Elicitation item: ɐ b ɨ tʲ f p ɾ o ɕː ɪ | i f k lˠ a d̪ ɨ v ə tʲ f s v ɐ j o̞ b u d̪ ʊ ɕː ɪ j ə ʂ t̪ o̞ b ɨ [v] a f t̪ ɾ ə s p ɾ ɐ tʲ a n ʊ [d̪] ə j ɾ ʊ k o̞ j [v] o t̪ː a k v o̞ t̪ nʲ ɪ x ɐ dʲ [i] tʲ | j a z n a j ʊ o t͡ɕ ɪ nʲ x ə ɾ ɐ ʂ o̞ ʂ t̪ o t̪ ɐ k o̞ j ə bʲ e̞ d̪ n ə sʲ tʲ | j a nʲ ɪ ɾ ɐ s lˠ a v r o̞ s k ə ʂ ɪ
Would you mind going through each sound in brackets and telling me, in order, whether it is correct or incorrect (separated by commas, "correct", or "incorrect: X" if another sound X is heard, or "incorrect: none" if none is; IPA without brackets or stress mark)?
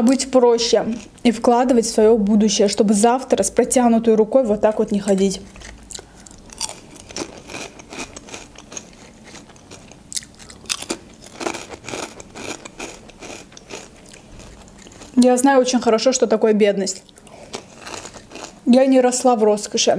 incorrect: z, incorrect: t̪, correct, correct